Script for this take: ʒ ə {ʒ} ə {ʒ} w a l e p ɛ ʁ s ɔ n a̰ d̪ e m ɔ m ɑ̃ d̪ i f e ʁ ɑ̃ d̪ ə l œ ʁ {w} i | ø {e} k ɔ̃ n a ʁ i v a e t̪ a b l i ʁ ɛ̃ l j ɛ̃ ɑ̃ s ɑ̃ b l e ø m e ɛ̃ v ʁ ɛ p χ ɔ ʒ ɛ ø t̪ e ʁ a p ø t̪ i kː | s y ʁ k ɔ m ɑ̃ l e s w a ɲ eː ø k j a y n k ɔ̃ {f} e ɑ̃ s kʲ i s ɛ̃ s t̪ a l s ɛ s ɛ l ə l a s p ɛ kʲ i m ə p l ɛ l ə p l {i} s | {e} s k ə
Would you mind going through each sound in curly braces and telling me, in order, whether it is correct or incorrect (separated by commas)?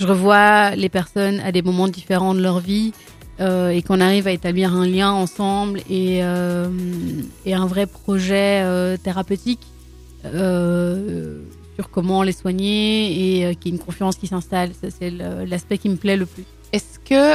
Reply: incorrect, incorrect, incorrect, correct, correct, incorrect, incorrect